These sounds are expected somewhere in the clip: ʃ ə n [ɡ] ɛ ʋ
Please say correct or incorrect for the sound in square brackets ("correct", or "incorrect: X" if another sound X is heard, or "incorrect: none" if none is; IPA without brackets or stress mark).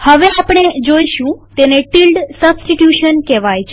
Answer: incorrect: k